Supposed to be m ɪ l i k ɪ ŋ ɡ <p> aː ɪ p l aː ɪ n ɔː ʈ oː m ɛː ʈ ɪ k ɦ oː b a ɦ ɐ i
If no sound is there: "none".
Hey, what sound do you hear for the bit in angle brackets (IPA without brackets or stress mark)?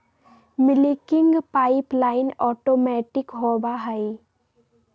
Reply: p